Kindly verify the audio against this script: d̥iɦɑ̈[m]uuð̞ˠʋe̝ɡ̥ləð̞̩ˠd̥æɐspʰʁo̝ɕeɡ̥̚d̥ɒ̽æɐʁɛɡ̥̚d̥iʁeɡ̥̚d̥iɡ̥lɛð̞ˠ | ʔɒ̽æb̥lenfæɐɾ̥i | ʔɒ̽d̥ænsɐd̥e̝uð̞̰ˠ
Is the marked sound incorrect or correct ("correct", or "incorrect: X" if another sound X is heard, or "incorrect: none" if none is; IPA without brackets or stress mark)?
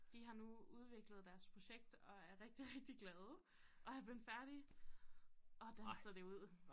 incorrect: n